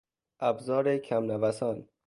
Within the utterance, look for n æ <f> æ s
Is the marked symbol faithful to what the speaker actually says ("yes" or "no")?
no